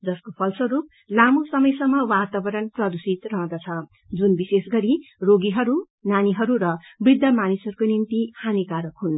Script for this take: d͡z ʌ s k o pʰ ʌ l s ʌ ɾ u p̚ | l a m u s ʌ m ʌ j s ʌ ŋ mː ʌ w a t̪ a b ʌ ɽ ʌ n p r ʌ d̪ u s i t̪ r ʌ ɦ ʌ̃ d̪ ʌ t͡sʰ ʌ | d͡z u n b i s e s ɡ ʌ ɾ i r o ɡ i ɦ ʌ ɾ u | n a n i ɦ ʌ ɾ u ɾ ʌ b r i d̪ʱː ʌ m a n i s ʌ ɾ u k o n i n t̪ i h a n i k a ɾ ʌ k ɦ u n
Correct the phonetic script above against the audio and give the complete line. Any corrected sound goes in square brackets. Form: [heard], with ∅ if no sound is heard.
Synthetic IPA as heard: d͡z ʌ s k o pʰ ʌ l s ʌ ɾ u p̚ | l a m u s ʌ m ʌ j s ʌ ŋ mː ʌ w a t̪ a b ʌ [ɾ] ʌ n p r ʌ d̪ u s i t̪ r ʌ ɦ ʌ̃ d̪ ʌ t͡sʰ ʌ | d͡z u n b i s e s ɡ ʌ ɾ i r o ɡ i ɦ ʌ ɾ u | n a n i ɦ ʌ ɾ u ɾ ʌ b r i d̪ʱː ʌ m a n i s ʌ ɾ u k o n i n t̪ i h a n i k a ɾ ʌ k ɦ u n